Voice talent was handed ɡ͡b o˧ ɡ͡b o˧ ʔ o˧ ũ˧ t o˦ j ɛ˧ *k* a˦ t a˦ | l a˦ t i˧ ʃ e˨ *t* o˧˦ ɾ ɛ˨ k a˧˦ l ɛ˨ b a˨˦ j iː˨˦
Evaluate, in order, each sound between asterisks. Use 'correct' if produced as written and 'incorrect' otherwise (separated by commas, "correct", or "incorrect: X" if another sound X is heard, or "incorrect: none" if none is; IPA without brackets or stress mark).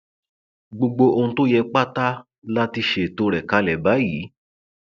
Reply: incorrect: k͡p, correct